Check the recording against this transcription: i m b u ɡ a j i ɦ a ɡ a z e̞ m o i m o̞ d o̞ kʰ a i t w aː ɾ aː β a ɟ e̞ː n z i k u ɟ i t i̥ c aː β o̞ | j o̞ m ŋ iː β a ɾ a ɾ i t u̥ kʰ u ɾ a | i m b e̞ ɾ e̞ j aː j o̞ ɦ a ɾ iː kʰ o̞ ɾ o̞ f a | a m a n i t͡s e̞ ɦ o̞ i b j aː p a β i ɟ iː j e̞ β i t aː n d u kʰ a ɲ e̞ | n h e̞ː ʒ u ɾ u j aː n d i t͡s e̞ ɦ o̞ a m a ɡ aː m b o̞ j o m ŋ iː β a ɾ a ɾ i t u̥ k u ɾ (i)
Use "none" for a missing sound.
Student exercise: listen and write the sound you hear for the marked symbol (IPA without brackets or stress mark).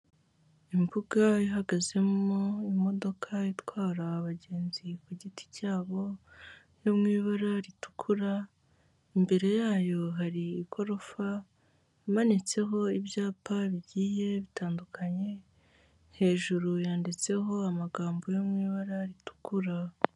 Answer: a